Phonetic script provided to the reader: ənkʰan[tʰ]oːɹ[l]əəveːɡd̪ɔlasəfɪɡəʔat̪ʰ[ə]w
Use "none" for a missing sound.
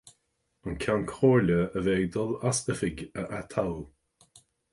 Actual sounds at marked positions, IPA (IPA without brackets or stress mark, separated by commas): kʰ, l, a